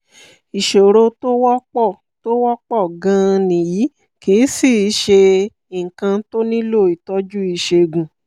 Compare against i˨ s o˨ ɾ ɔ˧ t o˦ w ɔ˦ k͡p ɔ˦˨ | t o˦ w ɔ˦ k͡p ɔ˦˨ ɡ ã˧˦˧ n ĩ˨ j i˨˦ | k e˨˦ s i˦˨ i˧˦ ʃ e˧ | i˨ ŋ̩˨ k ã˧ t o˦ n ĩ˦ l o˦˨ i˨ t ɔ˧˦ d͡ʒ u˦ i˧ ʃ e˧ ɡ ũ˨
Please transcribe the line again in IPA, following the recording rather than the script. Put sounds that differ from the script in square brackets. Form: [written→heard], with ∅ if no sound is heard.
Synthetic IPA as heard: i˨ [s→ʃ] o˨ ɾ [ɔ˧→o˧] t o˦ w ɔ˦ k͡p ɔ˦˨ | t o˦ w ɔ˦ k͡p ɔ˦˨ ɡ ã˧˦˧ n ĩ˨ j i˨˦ | k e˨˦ s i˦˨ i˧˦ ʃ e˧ | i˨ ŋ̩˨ k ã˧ t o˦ n ĩ˦ l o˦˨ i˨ t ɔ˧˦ d͡ʒ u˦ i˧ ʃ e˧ ɡ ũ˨